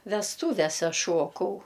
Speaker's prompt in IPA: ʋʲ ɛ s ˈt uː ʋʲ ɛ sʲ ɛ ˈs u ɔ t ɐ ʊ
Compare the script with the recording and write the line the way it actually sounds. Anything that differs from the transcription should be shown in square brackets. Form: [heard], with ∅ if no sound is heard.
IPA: ʋʲ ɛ s ˈt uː ʋʲ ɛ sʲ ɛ [ˈʃ] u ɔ [k] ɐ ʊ